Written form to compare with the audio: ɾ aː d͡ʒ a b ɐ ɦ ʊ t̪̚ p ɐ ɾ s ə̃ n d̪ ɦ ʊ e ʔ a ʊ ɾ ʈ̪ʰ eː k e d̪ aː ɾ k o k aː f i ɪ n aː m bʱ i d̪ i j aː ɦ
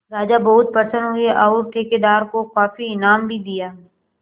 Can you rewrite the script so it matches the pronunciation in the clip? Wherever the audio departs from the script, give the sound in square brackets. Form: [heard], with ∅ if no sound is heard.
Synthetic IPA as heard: ɾ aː d͡ʒ a b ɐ ɦ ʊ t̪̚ p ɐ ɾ s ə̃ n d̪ ɦ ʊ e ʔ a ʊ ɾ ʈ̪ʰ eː k e d̪ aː ɾ k o k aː f i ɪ n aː m bʱ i d̪ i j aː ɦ